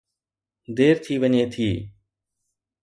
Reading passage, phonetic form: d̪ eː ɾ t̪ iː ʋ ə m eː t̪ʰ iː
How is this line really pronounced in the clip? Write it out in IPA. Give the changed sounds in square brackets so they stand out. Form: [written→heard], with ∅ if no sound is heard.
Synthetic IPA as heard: d̪ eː ɾ [t̪→t̪ʰ] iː ʋ ə [m→ɲ] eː t̪ʰ iː